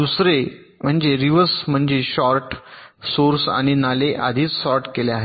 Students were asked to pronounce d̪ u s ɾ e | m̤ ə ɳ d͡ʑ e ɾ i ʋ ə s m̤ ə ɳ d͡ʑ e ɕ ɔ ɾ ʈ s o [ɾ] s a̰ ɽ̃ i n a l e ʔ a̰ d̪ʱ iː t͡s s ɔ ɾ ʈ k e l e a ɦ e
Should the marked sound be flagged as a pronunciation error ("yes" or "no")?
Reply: no